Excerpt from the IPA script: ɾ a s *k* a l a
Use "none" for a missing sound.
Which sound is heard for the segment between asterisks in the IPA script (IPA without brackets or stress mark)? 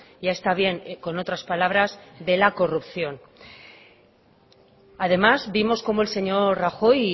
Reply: p